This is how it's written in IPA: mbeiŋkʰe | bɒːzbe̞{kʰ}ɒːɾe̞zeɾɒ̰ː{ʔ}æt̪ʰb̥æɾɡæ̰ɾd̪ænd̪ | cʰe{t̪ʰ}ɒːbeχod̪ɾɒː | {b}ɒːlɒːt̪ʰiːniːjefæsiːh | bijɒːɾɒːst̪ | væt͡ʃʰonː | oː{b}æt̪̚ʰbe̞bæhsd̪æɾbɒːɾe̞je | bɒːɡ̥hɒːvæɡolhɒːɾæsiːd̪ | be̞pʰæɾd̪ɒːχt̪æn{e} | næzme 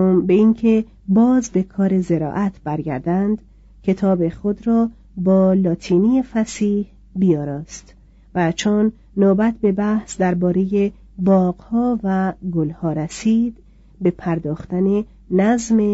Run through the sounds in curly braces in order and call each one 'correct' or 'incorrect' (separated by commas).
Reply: correct, correct, correct, correct, correct, correct